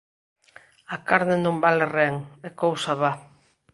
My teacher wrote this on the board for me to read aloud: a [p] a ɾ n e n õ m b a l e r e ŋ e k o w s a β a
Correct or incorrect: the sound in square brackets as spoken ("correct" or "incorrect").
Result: incorrect